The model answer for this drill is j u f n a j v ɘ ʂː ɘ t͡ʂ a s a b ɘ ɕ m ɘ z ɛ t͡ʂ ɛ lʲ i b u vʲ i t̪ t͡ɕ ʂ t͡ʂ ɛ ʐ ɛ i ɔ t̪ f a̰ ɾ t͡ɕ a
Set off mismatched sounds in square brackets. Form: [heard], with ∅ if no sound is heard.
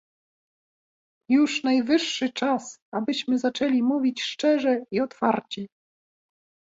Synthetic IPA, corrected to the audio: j u [ʂ] n a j v ɘ ʂː ɘ t͡ʂ a s a b ɘ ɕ m ɘ z [a] t͡ʂ ɛ lʲ i [m] u vʲ i [∅] t͡ɕ ʂ t͡ʂ ɛ ʐ ɛ i ɔ t̪ f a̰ ɾ t͡ɕ [i]